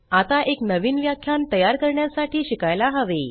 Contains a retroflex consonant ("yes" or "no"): yes